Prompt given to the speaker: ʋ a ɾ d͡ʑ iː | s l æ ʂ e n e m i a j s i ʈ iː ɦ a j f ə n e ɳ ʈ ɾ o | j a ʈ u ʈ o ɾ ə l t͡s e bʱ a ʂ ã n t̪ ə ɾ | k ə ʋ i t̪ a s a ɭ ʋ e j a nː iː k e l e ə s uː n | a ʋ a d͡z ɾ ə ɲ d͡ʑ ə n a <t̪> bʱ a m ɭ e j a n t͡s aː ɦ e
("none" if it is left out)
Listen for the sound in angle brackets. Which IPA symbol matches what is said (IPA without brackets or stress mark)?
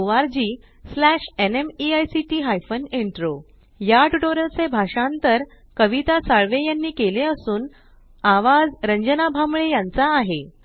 none